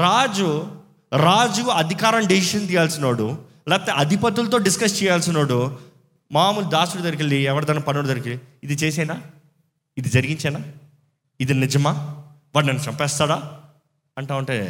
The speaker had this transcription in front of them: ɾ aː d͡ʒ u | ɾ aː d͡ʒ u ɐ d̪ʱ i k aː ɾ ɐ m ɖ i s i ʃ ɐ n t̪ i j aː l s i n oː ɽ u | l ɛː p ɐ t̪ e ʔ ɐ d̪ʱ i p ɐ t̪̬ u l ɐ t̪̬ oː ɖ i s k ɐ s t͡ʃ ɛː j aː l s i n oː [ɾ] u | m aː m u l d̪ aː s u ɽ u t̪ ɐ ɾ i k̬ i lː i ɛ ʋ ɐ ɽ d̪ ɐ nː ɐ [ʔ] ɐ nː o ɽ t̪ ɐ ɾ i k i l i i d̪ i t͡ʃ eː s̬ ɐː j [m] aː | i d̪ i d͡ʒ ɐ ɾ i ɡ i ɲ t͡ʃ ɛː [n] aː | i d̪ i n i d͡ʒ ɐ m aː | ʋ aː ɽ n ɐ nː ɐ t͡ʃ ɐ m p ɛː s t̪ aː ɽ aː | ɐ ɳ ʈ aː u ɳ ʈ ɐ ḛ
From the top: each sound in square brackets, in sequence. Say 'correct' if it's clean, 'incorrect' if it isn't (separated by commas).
incorrect, incorrect, incorrect, correct